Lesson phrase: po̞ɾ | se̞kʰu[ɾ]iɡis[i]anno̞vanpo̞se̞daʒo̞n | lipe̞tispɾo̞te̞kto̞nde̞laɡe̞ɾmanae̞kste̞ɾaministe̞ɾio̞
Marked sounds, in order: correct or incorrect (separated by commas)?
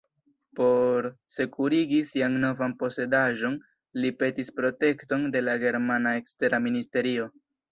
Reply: correct, correct